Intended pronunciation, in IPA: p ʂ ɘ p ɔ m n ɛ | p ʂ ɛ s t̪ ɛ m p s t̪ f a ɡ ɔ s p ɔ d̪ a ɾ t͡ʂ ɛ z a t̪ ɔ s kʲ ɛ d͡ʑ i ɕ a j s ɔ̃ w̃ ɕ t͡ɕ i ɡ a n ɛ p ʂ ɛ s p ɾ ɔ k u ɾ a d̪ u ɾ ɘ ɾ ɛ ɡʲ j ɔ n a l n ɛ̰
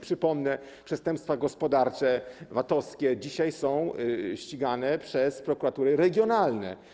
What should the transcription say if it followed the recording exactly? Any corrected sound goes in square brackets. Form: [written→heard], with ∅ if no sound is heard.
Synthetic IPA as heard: p ʂ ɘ p ɔ m n ɛ | p ʂ ɛ s t̪ ɛ m p s t̪ f a ɡ ɔ s p ɔ d̪ a ɾ t͡ʂ ɛ [z→v] a t̪ ɔ s kʲ ɛ d͡ʑ i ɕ a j s ɔ̃ w̃ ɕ t͡ɕ i ɡ a n ɛ p ʂ ɛ s p ɾ ɔ k u ɾ a [d̪→t̪] u ɾ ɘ ɾ ɛ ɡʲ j ɔ n a l n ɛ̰